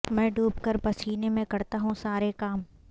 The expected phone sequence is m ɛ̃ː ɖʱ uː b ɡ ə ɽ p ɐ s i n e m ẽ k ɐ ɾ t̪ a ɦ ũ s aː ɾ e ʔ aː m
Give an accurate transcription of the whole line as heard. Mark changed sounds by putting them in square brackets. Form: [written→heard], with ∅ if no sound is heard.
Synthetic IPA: m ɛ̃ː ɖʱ uː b [ɡ→k] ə [ɽ→ɾ] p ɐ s [i→iː] n e m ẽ k ɐ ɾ t̪ a ɦ ũ s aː ɾ e [ʔ→k] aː m